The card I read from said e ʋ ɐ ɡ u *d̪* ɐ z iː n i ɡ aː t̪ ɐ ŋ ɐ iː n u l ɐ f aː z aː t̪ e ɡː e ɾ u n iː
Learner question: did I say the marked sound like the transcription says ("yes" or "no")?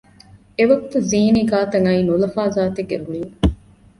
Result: no